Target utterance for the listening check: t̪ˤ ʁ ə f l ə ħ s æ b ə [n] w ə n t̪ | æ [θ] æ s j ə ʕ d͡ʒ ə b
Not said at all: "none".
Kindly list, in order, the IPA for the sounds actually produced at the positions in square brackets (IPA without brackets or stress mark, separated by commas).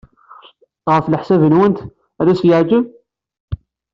n, ð